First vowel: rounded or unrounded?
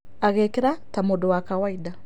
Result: unrounded